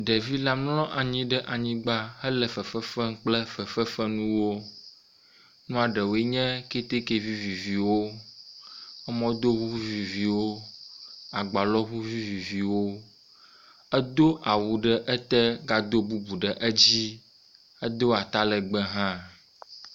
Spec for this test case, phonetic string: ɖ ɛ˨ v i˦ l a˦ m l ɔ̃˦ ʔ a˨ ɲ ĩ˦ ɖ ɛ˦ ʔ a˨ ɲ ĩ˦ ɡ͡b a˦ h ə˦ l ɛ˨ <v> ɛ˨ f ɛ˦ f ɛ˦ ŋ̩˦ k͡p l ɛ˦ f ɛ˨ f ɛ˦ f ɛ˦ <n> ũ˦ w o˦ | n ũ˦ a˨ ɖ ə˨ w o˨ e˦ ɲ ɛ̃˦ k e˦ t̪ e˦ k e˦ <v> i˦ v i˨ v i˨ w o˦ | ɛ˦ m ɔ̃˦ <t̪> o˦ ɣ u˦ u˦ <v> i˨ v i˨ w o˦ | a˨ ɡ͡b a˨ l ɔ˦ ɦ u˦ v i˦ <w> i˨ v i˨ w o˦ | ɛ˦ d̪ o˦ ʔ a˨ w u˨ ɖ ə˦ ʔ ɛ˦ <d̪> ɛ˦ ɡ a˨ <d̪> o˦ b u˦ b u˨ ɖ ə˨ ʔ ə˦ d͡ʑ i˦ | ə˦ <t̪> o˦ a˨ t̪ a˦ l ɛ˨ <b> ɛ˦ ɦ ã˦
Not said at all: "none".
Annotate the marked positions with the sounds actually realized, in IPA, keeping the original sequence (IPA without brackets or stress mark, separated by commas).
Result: f, n, v, d̪, v, v, t̪, d̪, d̪, ɡ͡b